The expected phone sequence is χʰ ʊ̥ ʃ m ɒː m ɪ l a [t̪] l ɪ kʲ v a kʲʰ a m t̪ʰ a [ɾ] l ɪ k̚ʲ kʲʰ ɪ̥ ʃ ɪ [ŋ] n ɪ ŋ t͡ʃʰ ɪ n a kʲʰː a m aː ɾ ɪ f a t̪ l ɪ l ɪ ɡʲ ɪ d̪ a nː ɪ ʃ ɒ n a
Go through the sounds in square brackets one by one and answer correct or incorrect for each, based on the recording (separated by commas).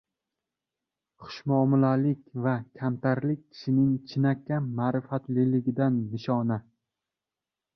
incorrect, correct, incorrect